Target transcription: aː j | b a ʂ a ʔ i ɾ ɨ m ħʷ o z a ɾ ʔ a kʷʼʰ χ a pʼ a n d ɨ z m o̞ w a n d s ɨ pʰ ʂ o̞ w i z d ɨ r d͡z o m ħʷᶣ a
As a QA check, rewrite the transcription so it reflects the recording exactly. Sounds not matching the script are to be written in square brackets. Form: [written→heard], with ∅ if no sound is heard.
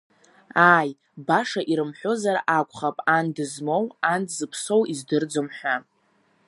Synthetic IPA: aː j | b a ʂ a ʔ i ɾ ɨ m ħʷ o z a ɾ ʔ a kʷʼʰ χ a pʼ a n d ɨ z m o̞ w a n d [s→z] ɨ pʰ [ʂ→s] o̞ w i z d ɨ r d͡z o m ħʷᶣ a